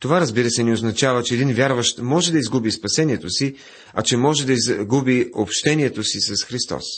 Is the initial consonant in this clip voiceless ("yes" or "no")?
yes